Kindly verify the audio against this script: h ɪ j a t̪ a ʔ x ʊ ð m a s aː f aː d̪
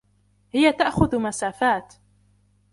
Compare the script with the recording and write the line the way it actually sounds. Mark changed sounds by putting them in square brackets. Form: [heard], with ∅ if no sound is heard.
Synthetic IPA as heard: h ɪ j a t̪ a ʔ x ʊ ð m a s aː f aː [t̪]